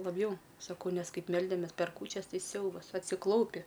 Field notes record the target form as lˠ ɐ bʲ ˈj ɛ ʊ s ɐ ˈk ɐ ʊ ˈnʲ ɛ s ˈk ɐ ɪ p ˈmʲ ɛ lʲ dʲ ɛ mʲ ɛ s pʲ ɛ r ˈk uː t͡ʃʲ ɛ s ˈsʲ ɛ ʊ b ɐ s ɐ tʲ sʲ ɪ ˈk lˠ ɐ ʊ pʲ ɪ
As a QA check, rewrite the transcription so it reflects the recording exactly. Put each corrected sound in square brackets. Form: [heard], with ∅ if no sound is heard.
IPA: lˠ ɐ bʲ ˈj ɛ ʊ s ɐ ˈk ɐ ʊ ˈnʲ ɛ s ˈk ɐ ɪ p ˈmʲ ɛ lʲ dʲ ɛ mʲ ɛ s pʲ ɛ r ˈk uː t͡ʃʲ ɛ s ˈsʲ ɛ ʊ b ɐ s ɐ tʲ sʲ ɪ ˈk lˠ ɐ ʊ pʲ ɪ